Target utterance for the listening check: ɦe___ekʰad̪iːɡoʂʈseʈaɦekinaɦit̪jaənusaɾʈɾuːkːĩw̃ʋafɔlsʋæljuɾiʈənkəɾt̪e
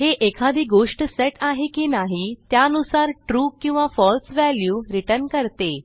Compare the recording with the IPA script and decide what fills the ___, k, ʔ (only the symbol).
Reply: ʔ